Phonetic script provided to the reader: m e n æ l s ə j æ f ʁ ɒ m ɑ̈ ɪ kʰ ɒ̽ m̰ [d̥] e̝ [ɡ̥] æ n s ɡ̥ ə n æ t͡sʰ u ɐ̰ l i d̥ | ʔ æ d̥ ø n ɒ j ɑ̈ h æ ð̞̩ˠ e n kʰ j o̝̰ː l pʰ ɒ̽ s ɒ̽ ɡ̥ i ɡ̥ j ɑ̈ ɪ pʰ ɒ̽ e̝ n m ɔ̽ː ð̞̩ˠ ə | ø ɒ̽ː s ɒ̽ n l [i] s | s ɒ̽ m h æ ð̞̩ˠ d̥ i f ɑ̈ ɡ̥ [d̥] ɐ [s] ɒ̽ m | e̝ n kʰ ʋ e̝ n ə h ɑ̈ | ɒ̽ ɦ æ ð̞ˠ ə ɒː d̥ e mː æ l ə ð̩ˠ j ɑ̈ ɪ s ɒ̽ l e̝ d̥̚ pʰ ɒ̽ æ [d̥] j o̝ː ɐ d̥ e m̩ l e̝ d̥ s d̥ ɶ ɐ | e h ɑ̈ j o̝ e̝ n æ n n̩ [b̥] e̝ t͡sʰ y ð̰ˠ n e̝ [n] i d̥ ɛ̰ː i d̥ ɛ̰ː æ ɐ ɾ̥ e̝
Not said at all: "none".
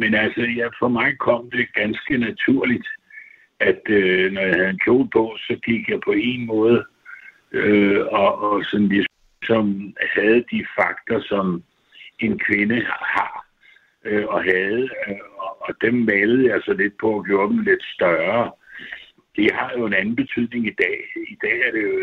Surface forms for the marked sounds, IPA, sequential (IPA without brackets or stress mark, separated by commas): d̥, ɡ̥, i, d̥, s, ɡ̥, b̥, ŋ